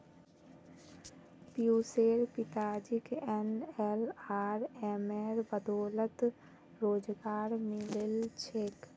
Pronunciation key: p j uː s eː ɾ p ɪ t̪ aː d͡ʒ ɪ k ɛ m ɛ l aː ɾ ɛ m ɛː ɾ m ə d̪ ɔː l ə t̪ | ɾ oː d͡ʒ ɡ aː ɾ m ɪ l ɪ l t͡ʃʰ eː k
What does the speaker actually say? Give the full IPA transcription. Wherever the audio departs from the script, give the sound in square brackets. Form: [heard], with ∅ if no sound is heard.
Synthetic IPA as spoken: p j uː s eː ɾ p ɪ t̪ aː d͡ʒ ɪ k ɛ [n] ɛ l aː ɾ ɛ m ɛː ɾ [b] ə d̪ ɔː l ə t̪ | ɾ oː d͡ʒ ɡ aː ɾ m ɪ l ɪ l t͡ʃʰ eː k